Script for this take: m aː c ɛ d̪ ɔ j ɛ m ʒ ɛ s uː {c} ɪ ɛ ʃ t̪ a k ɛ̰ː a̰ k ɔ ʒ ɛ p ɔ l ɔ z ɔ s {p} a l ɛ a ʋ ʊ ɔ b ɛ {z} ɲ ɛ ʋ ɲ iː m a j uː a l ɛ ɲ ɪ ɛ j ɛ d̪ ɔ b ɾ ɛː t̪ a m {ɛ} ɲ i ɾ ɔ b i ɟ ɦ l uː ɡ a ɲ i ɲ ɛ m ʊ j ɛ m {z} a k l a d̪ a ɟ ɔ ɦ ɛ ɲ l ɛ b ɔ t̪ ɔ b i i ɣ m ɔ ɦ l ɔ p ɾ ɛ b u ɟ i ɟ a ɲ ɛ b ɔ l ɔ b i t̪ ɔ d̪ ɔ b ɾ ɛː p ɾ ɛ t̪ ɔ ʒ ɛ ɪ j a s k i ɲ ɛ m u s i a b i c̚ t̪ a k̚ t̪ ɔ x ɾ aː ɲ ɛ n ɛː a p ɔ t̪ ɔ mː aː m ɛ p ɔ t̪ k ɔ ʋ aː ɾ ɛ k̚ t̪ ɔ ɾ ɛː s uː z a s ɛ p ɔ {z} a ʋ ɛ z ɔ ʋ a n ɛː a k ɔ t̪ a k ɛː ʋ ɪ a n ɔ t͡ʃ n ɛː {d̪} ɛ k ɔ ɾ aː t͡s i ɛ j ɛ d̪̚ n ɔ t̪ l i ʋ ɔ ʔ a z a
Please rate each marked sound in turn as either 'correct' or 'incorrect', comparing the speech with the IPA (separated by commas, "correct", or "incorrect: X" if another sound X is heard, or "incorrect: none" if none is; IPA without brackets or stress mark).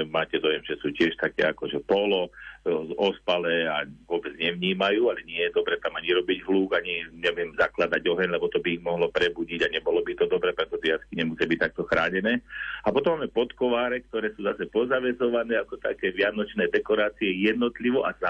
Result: correct, correct, incorrect: d͡z, incorrect: a, correct, correct, correct